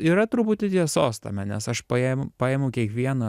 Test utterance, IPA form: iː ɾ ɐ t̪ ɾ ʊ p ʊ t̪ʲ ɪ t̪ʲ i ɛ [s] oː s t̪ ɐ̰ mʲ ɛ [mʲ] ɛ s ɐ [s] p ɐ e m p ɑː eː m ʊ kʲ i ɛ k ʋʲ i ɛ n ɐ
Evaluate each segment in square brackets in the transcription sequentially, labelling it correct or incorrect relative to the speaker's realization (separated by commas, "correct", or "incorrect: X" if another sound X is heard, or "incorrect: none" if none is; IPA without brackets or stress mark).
correct, incorrect: nʲ, incorrect: ʃ